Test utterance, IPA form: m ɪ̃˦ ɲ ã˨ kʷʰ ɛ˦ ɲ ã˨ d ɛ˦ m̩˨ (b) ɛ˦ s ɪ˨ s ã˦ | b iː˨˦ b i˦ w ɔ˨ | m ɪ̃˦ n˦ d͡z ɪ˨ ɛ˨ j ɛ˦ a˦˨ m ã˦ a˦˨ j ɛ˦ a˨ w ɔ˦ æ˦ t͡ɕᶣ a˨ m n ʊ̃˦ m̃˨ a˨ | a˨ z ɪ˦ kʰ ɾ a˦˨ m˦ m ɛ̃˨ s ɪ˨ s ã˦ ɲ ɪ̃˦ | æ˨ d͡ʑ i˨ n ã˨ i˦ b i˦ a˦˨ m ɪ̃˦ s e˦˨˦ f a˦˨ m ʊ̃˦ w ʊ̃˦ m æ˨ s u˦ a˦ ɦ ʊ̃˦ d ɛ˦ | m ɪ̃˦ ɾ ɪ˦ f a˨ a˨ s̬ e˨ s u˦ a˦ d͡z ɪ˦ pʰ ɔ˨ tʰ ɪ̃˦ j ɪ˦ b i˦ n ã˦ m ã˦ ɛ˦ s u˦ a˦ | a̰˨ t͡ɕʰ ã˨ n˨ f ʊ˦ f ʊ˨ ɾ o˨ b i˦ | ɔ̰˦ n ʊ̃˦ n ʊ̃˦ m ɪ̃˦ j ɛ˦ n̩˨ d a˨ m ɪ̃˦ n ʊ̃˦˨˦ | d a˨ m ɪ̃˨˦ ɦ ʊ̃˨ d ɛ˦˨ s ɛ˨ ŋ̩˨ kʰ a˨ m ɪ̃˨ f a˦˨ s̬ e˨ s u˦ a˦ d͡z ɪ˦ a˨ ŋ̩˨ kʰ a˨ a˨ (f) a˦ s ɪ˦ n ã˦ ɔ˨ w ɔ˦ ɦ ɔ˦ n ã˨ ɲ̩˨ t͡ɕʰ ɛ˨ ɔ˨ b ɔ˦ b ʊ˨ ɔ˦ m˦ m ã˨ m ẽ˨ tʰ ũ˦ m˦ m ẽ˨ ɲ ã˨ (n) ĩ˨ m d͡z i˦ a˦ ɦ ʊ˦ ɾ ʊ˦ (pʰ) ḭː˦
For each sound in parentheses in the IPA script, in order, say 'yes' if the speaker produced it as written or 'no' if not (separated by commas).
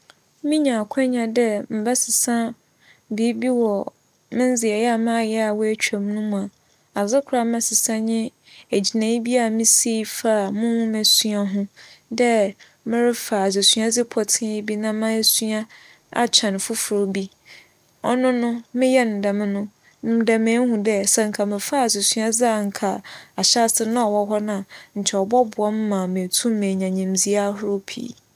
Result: yes, no, no, yes